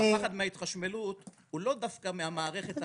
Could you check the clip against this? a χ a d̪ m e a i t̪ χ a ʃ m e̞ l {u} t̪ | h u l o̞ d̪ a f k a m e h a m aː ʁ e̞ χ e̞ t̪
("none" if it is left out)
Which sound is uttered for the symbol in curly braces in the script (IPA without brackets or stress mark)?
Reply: u